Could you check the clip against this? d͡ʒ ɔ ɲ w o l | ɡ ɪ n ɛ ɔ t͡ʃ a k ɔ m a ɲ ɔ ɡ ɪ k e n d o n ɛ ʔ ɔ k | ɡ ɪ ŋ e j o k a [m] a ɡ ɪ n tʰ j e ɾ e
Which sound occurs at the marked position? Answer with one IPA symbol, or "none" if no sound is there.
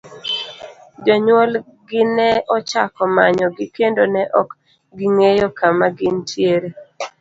m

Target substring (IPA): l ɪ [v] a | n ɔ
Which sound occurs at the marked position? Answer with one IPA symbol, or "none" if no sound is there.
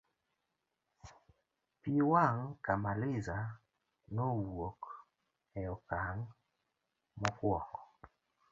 z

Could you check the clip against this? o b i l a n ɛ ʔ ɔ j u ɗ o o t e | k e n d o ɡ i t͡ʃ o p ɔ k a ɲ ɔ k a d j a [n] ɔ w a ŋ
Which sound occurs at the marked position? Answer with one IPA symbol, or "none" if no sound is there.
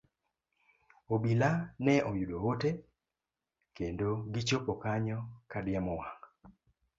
m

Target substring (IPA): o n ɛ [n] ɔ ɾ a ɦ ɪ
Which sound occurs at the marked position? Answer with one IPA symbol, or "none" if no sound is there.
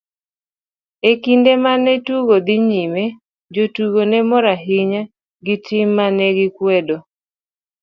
m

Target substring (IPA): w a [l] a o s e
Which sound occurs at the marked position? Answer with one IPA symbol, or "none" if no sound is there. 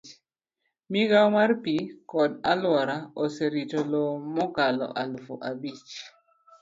ɾ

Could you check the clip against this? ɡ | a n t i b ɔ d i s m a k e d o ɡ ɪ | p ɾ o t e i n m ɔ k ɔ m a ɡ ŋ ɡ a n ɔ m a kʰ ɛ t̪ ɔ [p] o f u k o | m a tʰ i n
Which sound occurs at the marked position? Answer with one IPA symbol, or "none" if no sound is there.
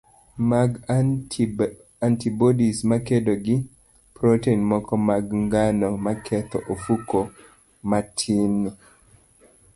ʔ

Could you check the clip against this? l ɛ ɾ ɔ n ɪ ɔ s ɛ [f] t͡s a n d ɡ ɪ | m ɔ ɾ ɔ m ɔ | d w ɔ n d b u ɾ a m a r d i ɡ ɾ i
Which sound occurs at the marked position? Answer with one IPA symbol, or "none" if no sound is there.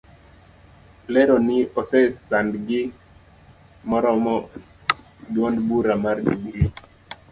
s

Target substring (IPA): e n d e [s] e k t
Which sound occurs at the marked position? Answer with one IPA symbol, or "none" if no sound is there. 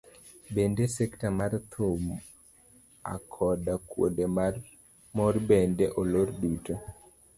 s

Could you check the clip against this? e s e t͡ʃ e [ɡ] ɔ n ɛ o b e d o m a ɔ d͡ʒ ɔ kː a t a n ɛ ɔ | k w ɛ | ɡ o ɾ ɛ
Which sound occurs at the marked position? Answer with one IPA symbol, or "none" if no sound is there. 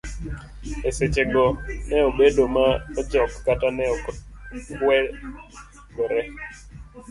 ɡ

